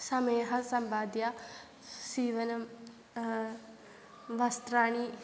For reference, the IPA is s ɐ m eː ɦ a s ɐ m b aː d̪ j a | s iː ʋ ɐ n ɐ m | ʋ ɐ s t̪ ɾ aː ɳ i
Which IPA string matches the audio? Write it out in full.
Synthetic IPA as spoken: s ɐ m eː ɦ ɐ s ɐ m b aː d̪ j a | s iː ʋ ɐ n ɐ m | ʋ ɐ s t̪ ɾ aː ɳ i